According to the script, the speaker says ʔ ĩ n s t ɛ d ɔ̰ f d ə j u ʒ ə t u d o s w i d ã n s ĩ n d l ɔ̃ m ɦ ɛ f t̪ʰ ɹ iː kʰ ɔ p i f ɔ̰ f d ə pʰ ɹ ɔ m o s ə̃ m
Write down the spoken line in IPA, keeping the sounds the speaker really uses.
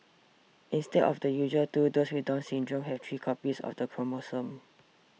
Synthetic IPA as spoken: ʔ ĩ n s t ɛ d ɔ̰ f d ə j u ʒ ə t u d o s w i d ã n s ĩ n d ɹ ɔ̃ m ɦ ɛ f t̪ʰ ɹ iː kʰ ɔ p i s ɔ̰ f d ə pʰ ɹ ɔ m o s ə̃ m